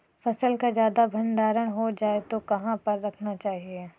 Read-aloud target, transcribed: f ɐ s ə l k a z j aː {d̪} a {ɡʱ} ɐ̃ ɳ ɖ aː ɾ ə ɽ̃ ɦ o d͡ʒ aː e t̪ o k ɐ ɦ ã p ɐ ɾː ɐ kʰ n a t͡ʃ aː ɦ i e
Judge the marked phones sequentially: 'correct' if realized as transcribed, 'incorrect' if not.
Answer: correct, incorrect

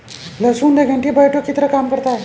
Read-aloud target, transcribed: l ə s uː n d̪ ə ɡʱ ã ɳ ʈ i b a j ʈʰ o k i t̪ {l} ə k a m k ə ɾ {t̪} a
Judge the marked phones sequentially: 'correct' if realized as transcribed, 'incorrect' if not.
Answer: incorrect, correct

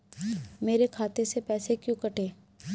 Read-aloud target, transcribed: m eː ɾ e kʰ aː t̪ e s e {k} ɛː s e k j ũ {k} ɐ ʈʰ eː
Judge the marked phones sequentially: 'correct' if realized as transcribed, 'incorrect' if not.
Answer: incorrect, correct

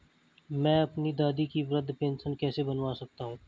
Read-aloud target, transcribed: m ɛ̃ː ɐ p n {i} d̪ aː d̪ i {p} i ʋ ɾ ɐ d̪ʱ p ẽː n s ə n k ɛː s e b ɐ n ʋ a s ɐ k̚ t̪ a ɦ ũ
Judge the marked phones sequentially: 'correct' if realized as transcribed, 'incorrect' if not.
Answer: correct, incorrect

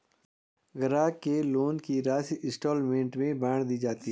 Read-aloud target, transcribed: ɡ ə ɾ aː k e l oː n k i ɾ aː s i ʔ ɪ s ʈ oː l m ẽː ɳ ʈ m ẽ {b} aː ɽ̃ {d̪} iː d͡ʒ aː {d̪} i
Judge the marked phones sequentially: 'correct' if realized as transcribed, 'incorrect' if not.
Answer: correct, correct, incorrect

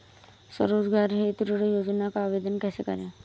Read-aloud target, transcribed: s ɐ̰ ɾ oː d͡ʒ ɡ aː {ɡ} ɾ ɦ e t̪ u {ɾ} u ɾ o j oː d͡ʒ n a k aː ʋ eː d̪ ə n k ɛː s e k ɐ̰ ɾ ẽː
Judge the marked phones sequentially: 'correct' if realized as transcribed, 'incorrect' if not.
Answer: incorrect, correct

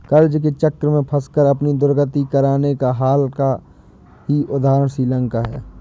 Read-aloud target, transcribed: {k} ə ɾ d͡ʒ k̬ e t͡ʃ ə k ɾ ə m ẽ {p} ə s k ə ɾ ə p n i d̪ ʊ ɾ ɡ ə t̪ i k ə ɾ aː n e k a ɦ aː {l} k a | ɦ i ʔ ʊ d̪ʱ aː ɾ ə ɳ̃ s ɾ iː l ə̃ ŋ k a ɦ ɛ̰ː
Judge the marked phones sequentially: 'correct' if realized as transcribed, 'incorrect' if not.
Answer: correct, incorrect, correct

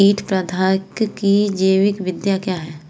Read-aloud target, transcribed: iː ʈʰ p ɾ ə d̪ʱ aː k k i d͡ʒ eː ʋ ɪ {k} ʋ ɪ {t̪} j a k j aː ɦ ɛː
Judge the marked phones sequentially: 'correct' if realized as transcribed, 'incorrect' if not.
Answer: correct, incorrect

